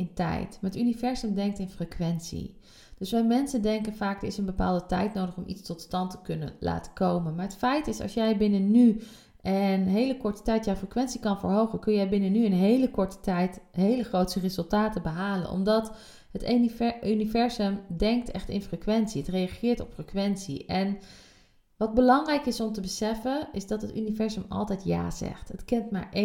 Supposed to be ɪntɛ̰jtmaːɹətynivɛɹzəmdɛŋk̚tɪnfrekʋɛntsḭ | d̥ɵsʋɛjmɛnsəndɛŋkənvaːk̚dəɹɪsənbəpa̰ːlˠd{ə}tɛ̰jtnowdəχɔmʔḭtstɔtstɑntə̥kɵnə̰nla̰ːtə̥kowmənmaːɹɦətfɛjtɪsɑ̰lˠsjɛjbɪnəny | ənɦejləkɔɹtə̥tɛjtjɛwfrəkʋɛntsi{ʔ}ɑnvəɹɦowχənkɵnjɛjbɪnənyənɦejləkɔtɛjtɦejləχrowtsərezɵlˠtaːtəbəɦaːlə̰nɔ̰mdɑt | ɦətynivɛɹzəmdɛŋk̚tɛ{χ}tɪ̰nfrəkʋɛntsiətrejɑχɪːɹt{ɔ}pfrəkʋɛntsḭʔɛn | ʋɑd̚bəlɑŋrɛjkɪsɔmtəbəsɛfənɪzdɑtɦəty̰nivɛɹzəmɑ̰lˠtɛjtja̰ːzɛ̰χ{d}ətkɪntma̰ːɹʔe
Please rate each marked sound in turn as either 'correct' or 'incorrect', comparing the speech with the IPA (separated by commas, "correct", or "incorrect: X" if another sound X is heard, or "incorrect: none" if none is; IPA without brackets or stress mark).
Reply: correct, incorrect: k, correct, correct, incorrect: t